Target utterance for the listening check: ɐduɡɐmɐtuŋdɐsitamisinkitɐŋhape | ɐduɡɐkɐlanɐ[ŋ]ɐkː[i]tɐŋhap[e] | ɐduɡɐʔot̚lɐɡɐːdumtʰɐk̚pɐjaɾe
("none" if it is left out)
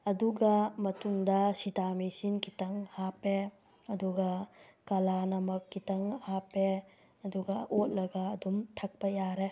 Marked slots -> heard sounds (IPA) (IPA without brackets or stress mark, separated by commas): m, i, e